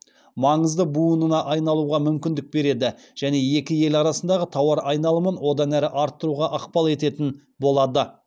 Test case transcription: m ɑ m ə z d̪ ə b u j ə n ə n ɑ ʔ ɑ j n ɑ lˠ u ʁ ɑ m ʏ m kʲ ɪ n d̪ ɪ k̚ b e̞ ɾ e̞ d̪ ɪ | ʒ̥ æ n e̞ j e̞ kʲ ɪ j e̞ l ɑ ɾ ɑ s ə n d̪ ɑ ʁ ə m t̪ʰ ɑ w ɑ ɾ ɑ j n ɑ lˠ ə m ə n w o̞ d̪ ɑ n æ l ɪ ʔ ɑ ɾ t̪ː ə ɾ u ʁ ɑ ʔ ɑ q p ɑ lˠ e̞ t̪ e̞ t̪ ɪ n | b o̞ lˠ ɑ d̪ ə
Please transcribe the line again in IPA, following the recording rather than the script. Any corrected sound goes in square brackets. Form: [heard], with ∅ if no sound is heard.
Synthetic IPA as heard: m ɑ [ɴ] ə z d̪ ə b u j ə n ə n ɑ ʔ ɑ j n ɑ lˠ u ʁ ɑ m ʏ m kʲ ɪ n d̪ ɪ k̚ b e̞ ɾ e̞ d̪ ɪ | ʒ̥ æ n e̞ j e̞ kʲ ɪ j e̞ l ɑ ɾ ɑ s ə n d̪ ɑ ʁ ə [∅] t̪ʰ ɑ w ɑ ɾ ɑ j n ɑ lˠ ə m ə n w o̞ d̪ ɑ n æ [ɾ] ɪ ʔ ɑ ɾ t̪ː ə ɾ u ʁ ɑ ʔ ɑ q p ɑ lˠ e̞ t̪ e̞ t̪ ɪ n | b o̞ lˠ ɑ d̪ ə

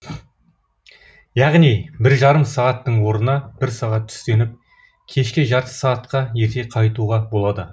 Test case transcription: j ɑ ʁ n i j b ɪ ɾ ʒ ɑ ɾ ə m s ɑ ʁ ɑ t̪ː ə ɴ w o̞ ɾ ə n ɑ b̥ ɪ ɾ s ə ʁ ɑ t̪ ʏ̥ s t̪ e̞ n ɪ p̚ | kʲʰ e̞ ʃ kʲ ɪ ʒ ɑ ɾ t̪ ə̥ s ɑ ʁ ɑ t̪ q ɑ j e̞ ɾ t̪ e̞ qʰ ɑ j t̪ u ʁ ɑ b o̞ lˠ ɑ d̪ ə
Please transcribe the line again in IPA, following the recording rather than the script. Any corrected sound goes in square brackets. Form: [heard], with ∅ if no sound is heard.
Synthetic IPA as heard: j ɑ ʁ n i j b ɪ ɾ ʒ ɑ ɾ ə m s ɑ ʁ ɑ t̪ː ə ɴ w o̞ ɾ ə n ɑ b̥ ɪ ɾ s [ɑ] ʁ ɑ [t̪ʰ] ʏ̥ s t̪ e̞ n ɪ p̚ | kʲʰ e̞ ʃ kʲ ɪ ʒ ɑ ɾ t̪ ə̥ s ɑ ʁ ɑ t̪ q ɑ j e̞ ɾ t̪ e̞ qʰ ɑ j t̪ u ʁ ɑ b o̞ lˠ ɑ d̪ ə

